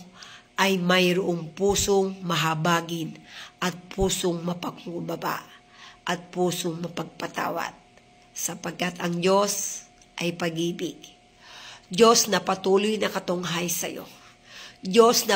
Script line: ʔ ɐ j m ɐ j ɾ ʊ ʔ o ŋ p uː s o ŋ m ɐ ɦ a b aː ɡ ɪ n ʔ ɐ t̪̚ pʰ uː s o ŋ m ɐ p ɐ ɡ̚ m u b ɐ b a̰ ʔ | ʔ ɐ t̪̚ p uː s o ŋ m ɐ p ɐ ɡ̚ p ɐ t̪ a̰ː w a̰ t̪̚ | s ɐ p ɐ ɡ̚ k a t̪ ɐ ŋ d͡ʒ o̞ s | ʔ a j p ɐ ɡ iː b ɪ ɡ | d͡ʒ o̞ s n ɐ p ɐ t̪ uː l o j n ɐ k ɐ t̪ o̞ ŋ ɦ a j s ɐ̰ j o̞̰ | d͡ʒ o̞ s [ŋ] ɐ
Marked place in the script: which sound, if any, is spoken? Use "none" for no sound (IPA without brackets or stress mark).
n